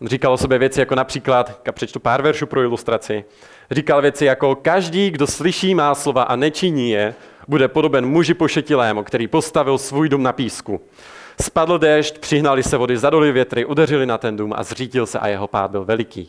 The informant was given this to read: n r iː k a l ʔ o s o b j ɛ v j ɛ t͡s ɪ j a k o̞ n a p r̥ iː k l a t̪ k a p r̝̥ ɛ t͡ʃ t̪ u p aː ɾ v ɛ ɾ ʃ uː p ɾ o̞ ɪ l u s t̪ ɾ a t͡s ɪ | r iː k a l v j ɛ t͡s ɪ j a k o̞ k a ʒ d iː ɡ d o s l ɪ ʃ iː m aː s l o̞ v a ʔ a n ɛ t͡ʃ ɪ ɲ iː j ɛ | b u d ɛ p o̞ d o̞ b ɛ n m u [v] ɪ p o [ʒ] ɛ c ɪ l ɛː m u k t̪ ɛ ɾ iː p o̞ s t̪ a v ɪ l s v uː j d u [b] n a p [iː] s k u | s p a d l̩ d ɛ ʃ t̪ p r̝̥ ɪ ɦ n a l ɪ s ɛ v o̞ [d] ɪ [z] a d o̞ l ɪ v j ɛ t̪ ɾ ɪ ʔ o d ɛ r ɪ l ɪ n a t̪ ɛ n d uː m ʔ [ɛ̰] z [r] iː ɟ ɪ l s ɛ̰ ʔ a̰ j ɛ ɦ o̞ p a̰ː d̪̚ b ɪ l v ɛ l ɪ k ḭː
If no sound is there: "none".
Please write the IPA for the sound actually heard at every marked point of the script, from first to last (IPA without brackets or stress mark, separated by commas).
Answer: ʒ, ʃ, m, iː, d, z, a̰, r